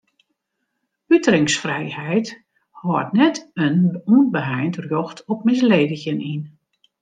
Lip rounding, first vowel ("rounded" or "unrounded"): rounded